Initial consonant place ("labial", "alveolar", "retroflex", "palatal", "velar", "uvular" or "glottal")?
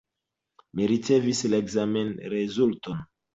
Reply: labial